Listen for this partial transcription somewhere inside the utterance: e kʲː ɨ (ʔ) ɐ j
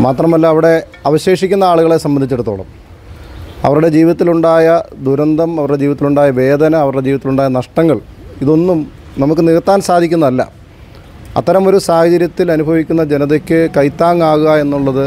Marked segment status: incorrect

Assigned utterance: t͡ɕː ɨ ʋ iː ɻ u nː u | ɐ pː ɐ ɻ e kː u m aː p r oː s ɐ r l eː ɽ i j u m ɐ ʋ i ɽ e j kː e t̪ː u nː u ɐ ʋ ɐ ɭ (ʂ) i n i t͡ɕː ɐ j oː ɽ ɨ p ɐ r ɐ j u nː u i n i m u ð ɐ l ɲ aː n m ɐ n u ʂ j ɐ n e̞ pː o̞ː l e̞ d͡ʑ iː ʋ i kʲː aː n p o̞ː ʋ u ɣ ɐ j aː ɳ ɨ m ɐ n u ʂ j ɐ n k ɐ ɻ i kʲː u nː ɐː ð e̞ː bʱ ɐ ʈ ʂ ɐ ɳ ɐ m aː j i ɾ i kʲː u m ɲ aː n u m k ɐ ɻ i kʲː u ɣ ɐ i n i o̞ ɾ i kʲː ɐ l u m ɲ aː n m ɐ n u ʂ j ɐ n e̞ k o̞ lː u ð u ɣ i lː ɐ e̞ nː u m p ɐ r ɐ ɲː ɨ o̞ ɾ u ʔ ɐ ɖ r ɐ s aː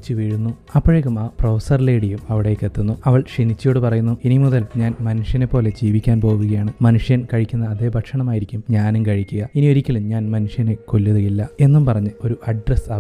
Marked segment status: correct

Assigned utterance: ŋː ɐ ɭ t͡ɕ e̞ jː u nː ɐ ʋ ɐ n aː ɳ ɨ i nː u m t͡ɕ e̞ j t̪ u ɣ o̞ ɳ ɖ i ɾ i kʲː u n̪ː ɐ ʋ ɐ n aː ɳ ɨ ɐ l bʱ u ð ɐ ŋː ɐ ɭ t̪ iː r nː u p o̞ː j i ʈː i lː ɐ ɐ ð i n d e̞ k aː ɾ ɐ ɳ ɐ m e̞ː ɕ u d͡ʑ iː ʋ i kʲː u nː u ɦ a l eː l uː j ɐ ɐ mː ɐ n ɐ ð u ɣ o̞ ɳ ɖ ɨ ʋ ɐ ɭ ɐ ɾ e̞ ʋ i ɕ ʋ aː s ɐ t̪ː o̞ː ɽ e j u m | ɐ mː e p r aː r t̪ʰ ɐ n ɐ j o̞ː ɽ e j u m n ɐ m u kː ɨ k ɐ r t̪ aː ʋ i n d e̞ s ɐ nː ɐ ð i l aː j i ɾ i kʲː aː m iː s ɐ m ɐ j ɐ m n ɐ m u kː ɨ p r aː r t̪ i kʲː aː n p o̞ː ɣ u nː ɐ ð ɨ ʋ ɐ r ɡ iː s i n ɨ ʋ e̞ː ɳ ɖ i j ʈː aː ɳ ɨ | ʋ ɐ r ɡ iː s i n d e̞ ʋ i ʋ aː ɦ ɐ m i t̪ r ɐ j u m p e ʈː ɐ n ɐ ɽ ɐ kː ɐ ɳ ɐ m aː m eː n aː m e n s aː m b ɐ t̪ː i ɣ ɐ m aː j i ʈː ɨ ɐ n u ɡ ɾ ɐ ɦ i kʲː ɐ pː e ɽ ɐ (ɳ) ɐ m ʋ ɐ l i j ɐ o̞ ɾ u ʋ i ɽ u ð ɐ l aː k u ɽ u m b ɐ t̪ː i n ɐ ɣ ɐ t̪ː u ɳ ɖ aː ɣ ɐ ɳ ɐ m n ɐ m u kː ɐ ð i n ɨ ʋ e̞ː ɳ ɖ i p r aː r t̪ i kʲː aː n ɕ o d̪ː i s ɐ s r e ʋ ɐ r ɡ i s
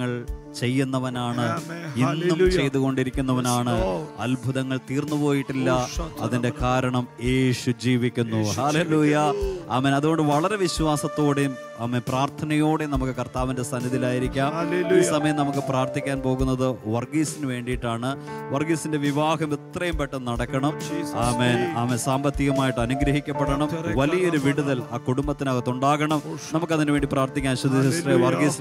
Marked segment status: correct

